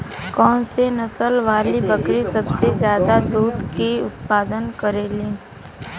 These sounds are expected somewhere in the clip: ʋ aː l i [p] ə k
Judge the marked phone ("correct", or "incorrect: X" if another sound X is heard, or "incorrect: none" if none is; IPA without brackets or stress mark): incorrect: b